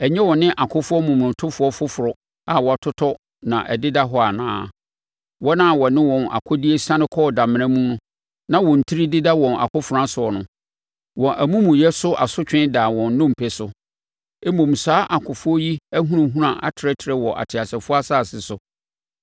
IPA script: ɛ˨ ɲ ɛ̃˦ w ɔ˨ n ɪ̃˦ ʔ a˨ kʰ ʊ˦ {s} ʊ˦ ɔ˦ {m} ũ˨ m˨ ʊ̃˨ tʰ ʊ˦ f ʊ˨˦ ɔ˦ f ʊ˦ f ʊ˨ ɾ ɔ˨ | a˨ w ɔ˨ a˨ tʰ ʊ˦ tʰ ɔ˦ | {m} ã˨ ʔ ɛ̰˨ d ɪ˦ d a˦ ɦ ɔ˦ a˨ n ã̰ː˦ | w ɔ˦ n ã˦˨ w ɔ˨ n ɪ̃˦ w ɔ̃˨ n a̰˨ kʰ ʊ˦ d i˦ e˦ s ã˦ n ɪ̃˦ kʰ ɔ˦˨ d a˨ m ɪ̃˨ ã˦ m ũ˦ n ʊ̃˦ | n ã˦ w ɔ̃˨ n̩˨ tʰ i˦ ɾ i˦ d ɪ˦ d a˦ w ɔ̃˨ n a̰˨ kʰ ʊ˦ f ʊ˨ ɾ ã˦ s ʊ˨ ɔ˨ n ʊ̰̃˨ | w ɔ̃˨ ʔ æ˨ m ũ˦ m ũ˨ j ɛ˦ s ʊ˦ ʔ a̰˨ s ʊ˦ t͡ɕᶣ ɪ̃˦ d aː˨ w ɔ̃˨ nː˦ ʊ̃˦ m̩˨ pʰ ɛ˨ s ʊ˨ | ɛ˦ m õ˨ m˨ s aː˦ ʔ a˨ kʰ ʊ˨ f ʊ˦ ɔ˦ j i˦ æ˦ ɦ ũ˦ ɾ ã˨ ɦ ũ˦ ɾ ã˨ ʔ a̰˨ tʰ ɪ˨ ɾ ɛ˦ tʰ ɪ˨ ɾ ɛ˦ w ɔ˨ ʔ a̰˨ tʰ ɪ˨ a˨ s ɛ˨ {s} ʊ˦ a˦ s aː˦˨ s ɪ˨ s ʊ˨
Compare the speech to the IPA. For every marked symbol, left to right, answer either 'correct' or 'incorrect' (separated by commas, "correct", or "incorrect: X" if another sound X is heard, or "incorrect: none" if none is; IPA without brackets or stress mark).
incorrect: f, correct, incorrect: n, incorrect: f